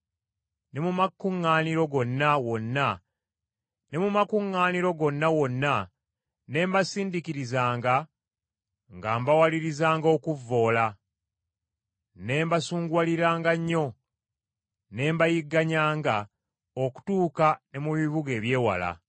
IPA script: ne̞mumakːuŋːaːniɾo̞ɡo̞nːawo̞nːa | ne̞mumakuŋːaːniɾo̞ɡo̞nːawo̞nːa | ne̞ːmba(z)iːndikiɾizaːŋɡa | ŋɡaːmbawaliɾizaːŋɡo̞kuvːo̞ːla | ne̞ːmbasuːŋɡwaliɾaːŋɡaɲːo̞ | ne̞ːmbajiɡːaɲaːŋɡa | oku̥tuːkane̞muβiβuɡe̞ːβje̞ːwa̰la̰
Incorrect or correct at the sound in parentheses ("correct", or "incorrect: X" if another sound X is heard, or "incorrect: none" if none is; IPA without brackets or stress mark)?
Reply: incorrect: s